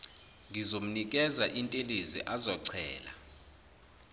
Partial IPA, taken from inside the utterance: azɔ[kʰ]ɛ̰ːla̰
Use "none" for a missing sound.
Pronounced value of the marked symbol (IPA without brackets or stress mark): ǀʰ